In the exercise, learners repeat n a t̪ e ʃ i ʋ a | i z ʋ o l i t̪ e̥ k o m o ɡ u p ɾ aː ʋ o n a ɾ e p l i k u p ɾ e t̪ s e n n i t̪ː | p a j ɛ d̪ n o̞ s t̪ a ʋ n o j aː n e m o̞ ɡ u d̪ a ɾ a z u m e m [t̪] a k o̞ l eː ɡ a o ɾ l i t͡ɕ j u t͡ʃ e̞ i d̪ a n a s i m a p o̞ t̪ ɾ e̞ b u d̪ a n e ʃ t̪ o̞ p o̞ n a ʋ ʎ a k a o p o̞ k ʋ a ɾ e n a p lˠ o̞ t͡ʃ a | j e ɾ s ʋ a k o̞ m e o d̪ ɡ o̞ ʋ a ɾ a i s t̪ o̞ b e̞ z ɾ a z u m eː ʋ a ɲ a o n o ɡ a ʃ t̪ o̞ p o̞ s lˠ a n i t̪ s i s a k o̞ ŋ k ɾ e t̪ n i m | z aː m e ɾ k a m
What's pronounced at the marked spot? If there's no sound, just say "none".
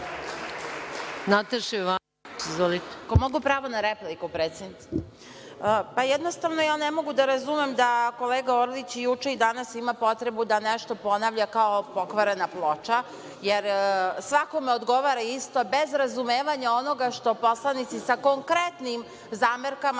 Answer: d̪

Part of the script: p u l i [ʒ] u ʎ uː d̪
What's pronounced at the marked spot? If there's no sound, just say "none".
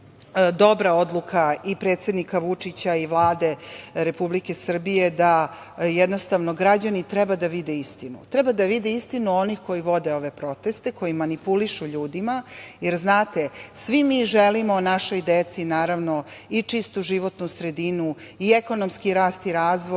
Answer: ʃ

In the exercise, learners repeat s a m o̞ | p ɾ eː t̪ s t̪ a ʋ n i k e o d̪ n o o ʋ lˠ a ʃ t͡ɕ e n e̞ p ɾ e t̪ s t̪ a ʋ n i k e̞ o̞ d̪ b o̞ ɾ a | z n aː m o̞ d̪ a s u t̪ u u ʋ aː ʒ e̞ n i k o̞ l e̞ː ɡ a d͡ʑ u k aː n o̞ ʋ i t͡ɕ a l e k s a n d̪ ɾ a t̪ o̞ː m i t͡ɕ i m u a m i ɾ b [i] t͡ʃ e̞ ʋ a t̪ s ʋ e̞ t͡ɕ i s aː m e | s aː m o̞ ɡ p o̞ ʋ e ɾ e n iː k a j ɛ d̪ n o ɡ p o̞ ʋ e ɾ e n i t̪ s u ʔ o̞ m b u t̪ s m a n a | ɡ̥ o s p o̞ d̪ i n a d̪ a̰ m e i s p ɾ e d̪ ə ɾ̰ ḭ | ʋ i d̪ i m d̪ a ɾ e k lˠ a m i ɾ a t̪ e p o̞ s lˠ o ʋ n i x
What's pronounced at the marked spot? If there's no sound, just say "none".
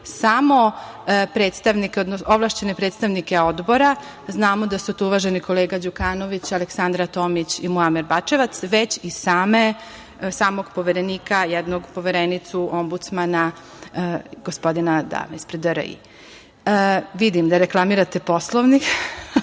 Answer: a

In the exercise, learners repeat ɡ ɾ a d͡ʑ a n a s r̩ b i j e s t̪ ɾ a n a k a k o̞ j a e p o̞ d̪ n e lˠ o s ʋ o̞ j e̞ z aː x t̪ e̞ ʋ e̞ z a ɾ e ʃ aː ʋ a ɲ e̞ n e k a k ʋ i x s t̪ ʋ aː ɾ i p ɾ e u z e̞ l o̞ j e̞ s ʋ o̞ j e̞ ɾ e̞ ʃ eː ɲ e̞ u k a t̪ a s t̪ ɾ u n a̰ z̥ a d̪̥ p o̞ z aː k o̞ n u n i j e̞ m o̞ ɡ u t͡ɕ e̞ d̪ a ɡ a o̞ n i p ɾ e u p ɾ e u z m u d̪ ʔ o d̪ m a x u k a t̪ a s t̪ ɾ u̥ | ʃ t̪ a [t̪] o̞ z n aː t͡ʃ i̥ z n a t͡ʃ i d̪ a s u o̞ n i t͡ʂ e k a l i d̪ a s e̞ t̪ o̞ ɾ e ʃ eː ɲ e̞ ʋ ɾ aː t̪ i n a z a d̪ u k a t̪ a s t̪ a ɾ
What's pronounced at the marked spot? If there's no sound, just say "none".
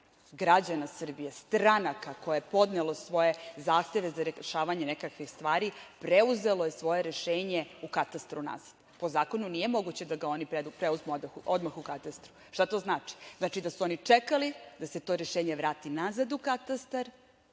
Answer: t̪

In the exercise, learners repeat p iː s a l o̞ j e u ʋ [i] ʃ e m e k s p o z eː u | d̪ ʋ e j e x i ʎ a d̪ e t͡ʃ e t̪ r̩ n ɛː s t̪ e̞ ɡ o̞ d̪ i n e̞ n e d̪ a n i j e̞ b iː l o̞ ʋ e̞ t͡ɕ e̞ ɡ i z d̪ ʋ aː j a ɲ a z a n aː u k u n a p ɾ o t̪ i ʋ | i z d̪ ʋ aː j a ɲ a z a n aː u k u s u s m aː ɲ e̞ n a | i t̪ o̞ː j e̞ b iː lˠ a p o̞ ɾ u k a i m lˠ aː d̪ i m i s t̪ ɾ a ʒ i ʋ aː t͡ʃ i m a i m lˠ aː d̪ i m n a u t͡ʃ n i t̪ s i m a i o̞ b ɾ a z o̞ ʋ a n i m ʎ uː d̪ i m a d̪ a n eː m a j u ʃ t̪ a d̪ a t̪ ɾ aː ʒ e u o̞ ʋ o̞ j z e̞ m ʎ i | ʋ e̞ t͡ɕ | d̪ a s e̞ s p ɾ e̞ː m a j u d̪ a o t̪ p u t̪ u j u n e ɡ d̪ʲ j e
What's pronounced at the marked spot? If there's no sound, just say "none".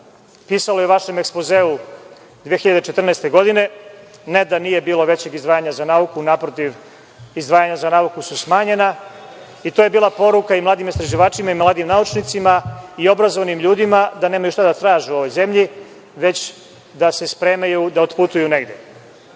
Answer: a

